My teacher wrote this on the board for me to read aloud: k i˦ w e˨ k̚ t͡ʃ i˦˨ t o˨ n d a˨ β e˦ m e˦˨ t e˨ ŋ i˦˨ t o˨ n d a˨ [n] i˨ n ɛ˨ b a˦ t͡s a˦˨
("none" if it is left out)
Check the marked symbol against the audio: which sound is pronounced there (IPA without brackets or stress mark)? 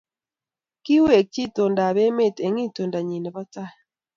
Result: ɲ